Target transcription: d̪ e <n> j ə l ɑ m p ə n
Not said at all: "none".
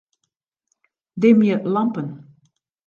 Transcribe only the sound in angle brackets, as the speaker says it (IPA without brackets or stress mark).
m